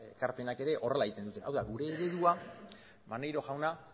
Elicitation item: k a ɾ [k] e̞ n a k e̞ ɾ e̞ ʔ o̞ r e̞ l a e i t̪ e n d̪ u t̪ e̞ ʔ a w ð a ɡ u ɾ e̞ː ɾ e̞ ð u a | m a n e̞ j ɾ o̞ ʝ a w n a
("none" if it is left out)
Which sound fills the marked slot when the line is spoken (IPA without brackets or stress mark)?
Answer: p